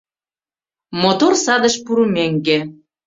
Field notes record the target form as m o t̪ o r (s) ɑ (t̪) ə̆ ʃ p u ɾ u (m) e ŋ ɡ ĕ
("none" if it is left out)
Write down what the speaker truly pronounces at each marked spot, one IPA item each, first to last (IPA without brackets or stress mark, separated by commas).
s, d̪, m